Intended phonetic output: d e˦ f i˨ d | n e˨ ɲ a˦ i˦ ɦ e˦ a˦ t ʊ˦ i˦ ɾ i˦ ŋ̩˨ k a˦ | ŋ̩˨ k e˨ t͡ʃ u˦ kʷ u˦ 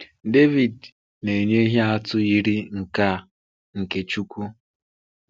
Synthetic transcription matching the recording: d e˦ v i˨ d | n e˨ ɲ e˦ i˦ ɦ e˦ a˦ t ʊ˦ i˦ ɾ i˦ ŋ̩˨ k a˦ | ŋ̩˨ k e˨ t͡ʃ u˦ kʷ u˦